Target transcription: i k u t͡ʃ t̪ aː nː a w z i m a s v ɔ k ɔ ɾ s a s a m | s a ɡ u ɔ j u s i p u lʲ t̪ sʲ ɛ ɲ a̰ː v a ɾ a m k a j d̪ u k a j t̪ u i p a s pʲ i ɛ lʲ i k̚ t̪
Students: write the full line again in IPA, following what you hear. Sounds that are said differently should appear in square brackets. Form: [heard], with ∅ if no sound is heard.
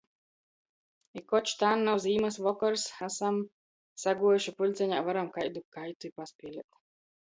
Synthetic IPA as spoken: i k [ɔ] t͡ʃ t̪ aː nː a w z [iː] m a s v ɔ k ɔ ɾ s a s a m | s a ɡ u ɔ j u [ʃ] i p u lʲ t̪ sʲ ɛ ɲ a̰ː v a ɾ a m k a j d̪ u k a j t̪ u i p a s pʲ i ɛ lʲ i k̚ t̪